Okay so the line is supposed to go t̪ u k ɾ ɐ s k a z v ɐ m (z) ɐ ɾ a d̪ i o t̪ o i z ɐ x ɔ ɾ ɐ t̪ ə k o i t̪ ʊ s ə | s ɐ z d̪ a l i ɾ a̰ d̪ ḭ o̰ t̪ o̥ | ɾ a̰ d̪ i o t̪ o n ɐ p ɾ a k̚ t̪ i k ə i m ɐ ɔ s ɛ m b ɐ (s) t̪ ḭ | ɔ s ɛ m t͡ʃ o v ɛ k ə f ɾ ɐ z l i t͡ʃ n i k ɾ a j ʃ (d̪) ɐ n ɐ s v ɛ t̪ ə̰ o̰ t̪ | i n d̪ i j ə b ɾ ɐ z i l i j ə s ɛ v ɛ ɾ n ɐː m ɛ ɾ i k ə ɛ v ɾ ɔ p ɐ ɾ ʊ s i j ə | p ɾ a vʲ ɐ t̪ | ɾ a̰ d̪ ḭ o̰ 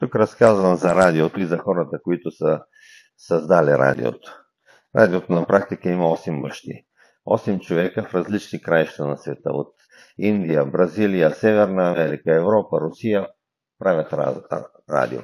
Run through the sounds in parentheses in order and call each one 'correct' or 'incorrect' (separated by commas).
correct, incorrect, incorrect